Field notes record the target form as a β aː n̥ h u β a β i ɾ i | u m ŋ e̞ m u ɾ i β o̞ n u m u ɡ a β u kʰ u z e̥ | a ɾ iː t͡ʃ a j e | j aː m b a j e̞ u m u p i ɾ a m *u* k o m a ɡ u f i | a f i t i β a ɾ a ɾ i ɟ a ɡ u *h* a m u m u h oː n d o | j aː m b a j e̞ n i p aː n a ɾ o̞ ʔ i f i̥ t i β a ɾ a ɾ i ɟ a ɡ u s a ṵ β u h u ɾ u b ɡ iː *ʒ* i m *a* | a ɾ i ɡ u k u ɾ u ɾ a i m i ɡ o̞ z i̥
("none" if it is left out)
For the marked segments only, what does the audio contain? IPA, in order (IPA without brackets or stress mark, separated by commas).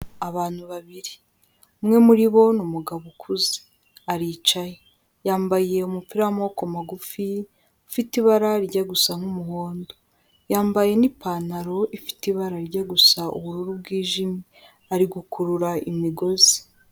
o, s, ʒ, i